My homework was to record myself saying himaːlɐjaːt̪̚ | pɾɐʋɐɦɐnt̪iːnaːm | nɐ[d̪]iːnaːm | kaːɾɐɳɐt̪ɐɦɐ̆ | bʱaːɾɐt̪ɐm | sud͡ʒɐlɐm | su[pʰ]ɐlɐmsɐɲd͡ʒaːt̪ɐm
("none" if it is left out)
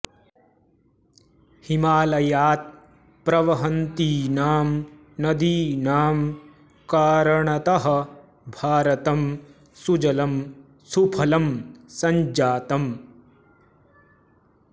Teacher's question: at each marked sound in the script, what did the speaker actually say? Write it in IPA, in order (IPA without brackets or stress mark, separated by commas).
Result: d̪, pʰ